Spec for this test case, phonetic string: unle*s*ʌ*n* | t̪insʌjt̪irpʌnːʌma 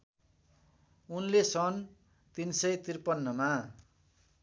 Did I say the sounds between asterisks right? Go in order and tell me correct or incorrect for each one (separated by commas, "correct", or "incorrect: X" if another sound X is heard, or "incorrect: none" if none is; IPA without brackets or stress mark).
correct, correct